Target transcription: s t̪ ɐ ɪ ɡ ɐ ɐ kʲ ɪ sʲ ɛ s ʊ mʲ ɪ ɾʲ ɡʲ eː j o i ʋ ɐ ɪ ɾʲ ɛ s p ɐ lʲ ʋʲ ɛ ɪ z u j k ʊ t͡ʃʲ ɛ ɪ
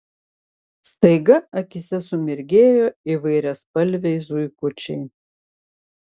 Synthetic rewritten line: s t̪ ɐ ɪ ɡ ɐ ɐ kʲ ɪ sʲ ɛ s ʊ mʲ ɪ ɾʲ ɡʲ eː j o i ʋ ɐ ɪ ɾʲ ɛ s p ɐ lʲ ʋʲ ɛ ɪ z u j k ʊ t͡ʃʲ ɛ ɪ